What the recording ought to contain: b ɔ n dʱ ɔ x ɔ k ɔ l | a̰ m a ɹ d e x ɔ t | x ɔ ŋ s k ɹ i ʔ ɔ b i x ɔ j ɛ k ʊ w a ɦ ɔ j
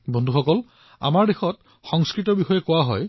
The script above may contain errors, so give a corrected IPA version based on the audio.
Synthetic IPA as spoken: b ɔ n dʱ u x ɔ k ɔ l | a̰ m a ɹ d e x ɔ t | x ɔ ŋ s k ɹ i t ɔ b i x ɔ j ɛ k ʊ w a ɦ ɔ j

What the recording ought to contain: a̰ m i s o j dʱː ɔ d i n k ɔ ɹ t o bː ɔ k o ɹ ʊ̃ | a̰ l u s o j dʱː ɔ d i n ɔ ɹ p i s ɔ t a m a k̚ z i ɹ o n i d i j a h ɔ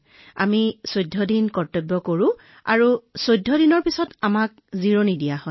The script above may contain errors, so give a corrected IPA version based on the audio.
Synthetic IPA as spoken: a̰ m i s o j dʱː ɔ d i n k ɔ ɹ t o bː ɔ k o ɹ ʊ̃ | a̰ ɹ u s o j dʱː ɔ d i n ɔ ɹ p i s ɔ t a m a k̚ z i ɹ o n i d i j a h ɔ

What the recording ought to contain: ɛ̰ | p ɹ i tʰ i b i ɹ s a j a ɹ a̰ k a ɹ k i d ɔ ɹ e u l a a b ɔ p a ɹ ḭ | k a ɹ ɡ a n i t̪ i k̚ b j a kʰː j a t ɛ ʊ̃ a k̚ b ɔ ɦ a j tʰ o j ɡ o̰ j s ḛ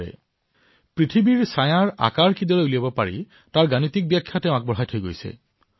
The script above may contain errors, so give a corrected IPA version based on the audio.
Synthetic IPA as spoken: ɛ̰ | p ɹ i tʰ i b i ɹ s a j a ɹ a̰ k a ɹ k i d ɔ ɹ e u l i a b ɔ p a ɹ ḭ | t a ɹ ɡ a n i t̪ i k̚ b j a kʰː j a t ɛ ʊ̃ a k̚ b ɔ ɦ a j tʰ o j ɡ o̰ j s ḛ

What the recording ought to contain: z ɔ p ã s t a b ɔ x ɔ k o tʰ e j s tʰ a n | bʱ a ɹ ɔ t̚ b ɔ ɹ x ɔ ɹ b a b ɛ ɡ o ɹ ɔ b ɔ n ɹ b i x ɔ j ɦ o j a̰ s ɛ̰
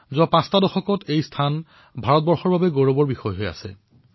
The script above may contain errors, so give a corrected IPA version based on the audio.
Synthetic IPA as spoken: z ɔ p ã s t a d ɔ x ɔ k ɔ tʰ e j s tʰ a n | bʱ a ɹ ɔ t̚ b ɔ ɹ x ɔ ɹ b a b ɛ ɡ o ɹ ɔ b ɔ ɹ b i x ɔ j ɦ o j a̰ s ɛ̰

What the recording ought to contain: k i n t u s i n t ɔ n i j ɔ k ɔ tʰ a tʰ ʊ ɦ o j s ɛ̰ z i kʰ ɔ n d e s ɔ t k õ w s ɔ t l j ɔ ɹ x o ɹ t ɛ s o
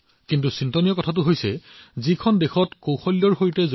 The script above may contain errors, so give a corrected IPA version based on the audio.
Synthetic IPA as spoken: k i n t u s i n t ɔ n i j ɔ k ɔ tʰ a t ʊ ɦ o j s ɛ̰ z i kʰ ɔ n d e x ɔ t k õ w x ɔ l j ɔ ɹ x o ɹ t ɛ z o

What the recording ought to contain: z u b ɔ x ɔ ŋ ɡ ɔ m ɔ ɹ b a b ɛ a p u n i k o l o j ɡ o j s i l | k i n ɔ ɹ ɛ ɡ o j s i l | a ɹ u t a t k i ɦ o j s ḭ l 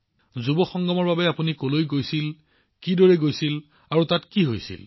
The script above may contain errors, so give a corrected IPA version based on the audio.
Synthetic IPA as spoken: z u b ɔ x ɔ ŋ ɡ ɔ m ɔ ɹ b a b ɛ a p u n i k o l o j ɡ o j s i l | k i d ɔ ɹ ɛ ɡ o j s i l | a ɹ u t a t k i ɦ o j s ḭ l

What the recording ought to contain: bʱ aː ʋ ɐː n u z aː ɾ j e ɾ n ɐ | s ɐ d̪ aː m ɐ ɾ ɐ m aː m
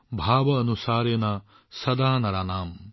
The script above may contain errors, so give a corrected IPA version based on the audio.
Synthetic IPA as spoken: bʱ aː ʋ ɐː n u s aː ɾ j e n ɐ | s ɐ d̪ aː n ɐ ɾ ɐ n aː m

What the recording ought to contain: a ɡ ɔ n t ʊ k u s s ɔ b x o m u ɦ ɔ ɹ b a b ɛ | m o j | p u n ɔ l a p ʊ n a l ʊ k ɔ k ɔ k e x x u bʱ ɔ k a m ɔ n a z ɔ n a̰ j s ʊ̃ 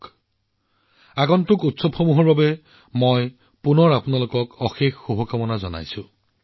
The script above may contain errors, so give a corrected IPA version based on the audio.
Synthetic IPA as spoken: a ɡ ɔ n t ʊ k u t s ɔ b x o m u ɦ ɔ ɹ b a b ɛ | m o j | p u n ɔ ɹ a p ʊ n a l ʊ k ɔ k ɔ x e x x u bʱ ɔ k a m ɔ n a z ɔ n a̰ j s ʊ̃

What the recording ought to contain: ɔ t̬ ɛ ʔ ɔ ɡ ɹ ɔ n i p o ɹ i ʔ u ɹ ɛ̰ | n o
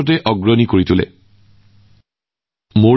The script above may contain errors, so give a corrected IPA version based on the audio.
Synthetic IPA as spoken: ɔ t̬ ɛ ʔ ɔ ɡ ɹ ɔ n i k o ɹ i t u l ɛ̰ | m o

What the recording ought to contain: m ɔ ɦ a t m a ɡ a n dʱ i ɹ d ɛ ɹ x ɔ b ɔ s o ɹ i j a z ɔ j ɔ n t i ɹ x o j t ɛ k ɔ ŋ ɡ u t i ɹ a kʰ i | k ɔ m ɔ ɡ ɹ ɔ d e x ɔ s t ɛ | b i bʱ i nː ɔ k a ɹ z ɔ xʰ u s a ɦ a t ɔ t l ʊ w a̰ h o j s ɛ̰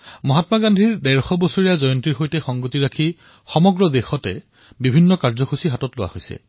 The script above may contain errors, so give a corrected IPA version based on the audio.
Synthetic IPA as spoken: m ɔ ɦ a t m a ɡ a n dʱ i ɹ d ɛ ɹ x ɔ b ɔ s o ɹ i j a z ɔ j ɔ n t i ɹ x o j t ɛ x ɔ ŋ ɡ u t i ɹ a kʰ i | x ɔ m ɔ ɡ ɹ ɔ d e x ɔ t ɛ | b i bʱ i nː ɔ k a ɹ z ɔ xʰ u s i ɦ a t ɔ t l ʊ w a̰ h o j s ɛ̰

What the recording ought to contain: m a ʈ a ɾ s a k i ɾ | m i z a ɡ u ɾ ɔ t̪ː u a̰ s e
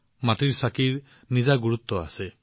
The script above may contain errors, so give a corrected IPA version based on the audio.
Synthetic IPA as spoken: m a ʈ i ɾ s a k i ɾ | n i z a ɡ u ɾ u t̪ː ɔ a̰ s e

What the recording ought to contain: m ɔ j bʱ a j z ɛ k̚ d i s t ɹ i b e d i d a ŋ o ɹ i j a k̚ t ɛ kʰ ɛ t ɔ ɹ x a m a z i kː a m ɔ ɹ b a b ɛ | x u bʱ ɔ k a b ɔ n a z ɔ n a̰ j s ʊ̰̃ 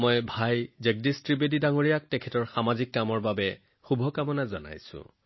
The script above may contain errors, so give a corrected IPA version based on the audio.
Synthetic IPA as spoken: m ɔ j bʱ a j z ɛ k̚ d i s t ɹ i b e d i d a ŋ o ɹ i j a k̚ t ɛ kʰ ɛ t ɔ ɹ x a m a z i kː a m ɔ ɹ b a b ɛ | x u bʱ ɔ k a m ɔ n a z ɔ n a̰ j s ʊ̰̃

